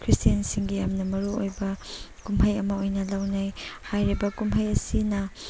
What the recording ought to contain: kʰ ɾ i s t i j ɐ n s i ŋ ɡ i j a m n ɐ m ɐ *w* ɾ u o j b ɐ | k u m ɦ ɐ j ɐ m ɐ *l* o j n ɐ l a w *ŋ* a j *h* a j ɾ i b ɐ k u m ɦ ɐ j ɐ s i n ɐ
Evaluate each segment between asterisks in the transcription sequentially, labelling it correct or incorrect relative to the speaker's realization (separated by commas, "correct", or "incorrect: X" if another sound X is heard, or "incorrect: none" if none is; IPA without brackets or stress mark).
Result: incorrect: none, incorrect: none, incorrect: n, correct